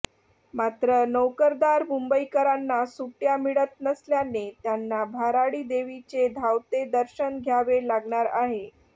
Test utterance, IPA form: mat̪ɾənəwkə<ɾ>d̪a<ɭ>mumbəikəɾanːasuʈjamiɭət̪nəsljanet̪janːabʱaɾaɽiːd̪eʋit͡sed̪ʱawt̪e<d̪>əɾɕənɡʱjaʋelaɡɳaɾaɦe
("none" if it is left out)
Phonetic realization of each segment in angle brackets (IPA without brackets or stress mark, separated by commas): ɾ, ɾ, d̪